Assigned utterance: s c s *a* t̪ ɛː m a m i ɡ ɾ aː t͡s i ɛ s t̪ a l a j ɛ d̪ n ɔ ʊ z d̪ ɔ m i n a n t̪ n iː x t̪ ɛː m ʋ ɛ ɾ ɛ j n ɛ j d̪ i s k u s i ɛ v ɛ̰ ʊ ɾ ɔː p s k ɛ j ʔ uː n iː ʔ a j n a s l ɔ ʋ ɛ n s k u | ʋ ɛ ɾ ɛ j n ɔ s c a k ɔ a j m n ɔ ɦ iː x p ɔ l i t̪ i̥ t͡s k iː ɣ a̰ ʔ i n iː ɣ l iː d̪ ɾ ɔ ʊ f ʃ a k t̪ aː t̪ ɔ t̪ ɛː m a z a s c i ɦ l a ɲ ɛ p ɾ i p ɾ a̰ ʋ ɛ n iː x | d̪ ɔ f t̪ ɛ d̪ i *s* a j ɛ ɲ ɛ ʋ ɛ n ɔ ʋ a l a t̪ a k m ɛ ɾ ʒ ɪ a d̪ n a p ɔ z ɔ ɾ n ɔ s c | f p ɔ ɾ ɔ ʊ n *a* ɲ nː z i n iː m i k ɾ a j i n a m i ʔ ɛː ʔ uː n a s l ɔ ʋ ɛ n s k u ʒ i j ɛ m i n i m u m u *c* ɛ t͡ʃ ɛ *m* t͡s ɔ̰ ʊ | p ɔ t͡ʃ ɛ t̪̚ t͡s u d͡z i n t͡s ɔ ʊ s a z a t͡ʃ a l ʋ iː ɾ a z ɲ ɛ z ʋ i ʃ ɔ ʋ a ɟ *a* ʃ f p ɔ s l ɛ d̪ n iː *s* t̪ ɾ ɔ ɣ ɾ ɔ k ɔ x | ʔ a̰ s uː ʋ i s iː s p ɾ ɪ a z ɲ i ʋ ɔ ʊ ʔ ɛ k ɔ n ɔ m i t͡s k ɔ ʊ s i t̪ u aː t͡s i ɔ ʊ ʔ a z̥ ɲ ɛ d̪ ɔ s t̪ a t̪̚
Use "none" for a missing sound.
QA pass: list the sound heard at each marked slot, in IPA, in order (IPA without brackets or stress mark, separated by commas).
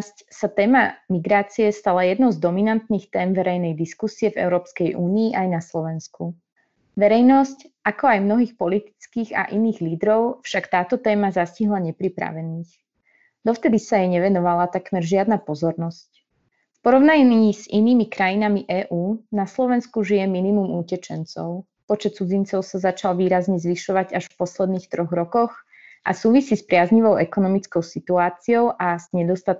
a, s, a, c, n, a, x